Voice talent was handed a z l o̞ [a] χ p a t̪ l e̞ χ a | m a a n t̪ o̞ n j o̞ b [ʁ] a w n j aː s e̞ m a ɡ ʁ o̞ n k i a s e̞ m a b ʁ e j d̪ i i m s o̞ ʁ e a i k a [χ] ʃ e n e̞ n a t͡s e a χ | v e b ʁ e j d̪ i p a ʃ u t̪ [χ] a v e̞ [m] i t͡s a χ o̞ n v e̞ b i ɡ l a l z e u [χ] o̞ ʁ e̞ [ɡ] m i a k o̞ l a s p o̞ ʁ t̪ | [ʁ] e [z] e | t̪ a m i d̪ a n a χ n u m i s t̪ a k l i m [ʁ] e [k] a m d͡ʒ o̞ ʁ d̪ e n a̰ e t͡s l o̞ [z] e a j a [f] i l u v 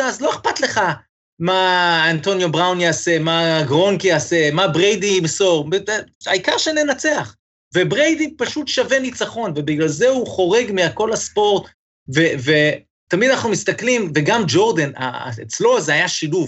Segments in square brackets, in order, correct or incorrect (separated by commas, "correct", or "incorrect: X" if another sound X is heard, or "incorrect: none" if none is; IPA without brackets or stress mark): incorrect: e, correct, incorrect: ʁ, incorrect: ʃ, incorrect: n, correct, correct, incorrect: v, incorrect: v, incorrect: v, incorrect: ɡ, correct, incorrect: ʃ